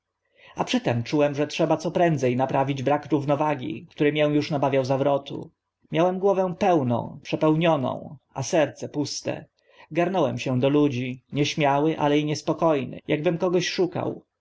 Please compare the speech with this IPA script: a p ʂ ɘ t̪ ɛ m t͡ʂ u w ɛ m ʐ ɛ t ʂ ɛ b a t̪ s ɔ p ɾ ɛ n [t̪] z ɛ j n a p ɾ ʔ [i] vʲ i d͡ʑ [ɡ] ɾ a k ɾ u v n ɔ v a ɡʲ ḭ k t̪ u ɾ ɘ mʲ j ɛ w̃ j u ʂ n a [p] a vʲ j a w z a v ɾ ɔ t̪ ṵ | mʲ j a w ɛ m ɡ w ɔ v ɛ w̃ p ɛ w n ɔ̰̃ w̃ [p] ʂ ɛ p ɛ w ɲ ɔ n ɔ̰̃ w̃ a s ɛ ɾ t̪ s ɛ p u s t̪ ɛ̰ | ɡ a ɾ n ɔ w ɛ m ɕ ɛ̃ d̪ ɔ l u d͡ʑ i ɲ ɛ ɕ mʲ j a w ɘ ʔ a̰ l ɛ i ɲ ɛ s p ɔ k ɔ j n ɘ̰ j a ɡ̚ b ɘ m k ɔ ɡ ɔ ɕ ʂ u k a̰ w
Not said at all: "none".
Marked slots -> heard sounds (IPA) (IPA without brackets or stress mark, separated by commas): d̪, a, b, b, p